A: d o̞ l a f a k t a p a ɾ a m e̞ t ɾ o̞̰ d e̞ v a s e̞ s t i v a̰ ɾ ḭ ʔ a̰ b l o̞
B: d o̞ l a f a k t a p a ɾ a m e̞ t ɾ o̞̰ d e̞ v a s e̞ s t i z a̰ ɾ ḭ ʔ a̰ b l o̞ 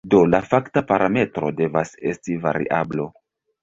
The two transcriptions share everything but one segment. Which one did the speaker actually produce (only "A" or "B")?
A